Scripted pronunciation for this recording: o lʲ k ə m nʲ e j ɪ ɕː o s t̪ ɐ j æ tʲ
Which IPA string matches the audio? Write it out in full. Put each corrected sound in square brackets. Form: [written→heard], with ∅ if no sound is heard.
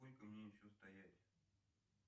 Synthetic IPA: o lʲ k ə m nʲ e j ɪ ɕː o s t̪ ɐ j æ tʲ